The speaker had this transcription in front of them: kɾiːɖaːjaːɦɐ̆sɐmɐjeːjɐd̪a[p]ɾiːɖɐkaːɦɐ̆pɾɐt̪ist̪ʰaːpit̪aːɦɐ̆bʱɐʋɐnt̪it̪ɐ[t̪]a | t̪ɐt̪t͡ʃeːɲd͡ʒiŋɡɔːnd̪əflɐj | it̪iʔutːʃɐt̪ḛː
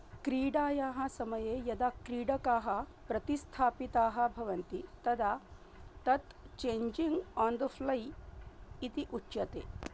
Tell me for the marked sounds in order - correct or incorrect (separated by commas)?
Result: incorrect, incorrect